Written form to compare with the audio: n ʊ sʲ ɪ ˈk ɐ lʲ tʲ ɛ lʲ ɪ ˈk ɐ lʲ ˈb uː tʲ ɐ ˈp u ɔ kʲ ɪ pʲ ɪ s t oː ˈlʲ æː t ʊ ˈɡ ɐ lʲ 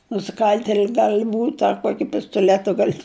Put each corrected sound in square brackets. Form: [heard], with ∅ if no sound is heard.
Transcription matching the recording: n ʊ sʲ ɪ ˈk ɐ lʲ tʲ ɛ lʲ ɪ [ˈɡ] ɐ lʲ ˈb uː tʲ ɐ [ˈk] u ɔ kʲ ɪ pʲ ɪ s t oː ˈlʲ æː t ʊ ˈɡ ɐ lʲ